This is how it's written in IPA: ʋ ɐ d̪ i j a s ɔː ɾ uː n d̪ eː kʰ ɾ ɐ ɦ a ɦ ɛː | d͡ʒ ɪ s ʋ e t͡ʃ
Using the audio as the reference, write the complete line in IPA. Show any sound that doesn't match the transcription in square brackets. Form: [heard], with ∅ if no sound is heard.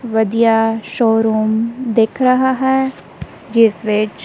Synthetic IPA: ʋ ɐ d̪ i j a [ʃ] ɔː ɾ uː [m] d̪ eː kʰ ɾ ɐ ɦ a ɦ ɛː | d͡ʒ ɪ s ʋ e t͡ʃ

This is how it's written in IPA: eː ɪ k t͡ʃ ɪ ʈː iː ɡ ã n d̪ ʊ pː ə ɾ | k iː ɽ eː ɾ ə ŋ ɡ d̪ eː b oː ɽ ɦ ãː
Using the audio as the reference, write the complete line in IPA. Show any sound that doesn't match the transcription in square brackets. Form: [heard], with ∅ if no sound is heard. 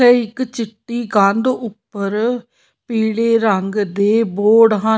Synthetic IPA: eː ɪ k t͡ʃ ɪ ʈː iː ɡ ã n d̪ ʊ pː ə ɾ | [p] iː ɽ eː ɾ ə ŋ ɡ d̪ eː b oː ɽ ɦ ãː

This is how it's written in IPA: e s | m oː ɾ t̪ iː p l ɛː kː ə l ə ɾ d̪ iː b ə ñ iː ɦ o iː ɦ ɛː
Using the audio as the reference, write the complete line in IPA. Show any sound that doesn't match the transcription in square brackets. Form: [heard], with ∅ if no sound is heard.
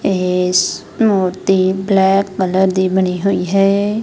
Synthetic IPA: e s | m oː ɾ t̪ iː [b] l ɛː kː ə l ə ɾ d̪ iː b ə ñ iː ɦ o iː ɦ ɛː

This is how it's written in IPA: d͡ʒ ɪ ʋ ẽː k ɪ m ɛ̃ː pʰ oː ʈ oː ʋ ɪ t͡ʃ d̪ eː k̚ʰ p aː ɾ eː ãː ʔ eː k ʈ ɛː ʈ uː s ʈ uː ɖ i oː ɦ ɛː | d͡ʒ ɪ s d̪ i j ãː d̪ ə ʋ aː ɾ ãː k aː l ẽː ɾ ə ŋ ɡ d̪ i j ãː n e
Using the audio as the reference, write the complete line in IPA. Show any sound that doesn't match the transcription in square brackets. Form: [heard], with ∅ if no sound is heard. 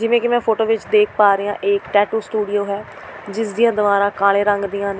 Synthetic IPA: d͡ʒ ɪ ʋ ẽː k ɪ m ɛ̃ː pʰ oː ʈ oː ʋ ɪ t͡ʃ d̪ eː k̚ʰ p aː ɾ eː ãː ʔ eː k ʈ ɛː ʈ uː s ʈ uː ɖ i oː ɦ ɛː | d͡ʒ ɪ s d̪ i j ãː d̪ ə ʋ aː ɾ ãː k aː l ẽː ɾ ə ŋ ɡ d̪ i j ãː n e

